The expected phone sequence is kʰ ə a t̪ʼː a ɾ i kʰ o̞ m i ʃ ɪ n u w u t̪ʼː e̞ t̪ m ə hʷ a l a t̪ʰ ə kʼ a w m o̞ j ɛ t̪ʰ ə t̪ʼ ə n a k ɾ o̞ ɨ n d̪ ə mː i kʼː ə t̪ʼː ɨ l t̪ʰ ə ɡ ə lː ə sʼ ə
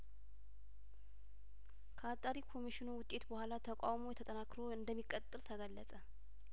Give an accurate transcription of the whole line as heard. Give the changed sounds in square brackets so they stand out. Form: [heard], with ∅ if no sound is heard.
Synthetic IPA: kʰ ə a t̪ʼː a ɾ i kʰ o̞ m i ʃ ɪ n u w [ʊ] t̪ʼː e̞ t̪ [b] ə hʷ a l a t̪ʰ ə kʼ a w m o̞ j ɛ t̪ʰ ə t̪ʼ ə n a k ɾ o̞ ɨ n d̪ ə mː i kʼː ə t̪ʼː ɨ l t̪ʰ ə ɡ ə lː ə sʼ ə